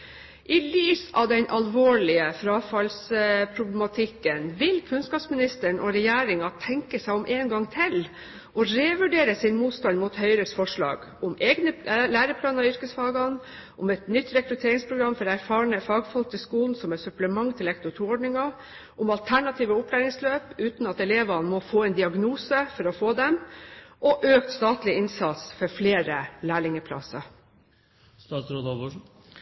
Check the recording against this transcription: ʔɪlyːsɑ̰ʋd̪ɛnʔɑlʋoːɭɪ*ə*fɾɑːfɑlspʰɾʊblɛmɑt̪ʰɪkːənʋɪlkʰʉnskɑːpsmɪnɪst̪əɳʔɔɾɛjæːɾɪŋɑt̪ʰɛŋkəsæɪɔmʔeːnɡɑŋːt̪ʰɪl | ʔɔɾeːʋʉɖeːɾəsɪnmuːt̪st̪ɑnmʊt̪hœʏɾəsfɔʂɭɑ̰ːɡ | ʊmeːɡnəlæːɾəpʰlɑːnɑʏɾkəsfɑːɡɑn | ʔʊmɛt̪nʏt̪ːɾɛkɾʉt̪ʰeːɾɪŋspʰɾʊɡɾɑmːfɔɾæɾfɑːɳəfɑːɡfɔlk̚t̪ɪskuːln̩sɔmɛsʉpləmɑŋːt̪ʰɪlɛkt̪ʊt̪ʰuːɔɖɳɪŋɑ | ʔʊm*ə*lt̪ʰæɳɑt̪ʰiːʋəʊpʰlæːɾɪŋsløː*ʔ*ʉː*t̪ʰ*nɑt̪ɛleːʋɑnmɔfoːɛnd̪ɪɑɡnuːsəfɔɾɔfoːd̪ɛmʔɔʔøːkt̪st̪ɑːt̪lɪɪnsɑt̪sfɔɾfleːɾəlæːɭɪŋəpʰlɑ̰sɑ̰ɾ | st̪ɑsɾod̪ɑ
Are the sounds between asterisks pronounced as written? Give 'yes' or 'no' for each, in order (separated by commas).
yes, no, no, no